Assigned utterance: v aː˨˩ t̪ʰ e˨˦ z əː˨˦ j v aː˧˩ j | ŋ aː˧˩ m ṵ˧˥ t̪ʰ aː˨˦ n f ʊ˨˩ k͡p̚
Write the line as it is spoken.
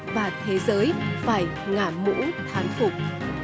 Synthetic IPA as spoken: v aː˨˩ t̪ʰ e˨˦ z əː˨˦ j f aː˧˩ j | ŋ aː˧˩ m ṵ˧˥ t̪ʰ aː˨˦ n f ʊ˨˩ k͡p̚